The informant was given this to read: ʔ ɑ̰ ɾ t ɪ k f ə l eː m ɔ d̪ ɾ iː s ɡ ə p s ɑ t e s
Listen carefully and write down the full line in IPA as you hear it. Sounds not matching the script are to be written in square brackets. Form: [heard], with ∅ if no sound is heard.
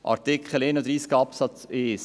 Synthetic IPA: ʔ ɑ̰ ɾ t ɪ k [χ] ə l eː [n] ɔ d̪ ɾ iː s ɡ [ɑ] p s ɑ [t͡s] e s